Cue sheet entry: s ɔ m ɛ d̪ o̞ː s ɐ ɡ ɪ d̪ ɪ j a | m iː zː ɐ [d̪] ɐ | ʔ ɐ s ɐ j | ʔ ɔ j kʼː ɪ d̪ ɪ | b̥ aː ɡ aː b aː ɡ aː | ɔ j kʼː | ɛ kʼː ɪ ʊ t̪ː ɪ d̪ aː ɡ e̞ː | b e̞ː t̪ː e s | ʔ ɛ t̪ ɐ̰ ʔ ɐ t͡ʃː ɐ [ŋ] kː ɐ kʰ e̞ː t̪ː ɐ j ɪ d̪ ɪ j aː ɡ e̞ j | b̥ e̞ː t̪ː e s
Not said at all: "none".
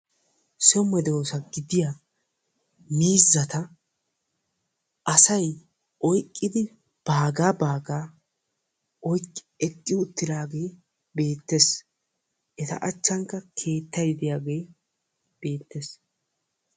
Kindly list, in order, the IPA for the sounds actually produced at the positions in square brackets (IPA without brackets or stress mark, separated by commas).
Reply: t̪, ŋ